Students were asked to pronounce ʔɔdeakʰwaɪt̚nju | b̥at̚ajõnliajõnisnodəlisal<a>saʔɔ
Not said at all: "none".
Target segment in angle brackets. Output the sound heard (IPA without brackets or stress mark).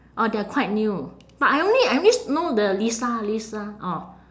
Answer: i